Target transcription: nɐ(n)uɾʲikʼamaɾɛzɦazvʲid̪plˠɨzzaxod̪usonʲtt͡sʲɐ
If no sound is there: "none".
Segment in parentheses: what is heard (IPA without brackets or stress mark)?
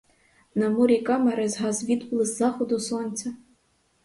m